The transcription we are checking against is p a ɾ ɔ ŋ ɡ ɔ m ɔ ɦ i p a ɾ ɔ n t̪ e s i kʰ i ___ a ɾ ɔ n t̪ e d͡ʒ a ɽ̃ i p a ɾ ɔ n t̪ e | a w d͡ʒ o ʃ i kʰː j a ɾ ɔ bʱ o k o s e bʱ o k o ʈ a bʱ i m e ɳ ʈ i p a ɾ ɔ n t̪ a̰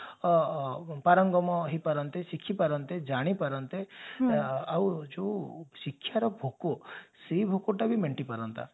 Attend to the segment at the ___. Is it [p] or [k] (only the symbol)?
p